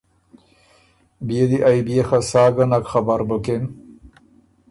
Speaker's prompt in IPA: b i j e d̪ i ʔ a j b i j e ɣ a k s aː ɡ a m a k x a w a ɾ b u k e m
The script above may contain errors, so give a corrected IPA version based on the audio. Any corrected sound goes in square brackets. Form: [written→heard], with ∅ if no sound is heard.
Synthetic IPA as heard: b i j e d̪ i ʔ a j b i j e [ɣ→x] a [k→∅] s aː ɡ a [m→n] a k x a [w→b] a ɾ b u k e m